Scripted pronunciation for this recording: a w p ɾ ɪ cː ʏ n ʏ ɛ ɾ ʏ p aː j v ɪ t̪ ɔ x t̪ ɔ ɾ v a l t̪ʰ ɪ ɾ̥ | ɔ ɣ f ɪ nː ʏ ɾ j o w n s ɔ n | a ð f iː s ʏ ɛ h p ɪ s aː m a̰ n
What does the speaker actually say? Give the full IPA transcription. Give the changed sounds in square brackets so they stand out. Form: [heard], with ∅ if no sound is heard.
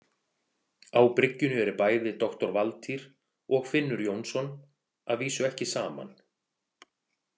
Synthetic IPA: a w p ɾ ɪ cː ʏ n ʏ ɛ ɾ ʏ p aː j [ð] ɪ t̪ ɔ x t̪ ɔ ɾ v a l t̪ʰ [i] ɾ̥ | ɔ ɣ f ɪ nː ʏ ɾ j o w n s ɔ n | a ð [v] iː s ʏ ɛ h [c] ɪ s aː m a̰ n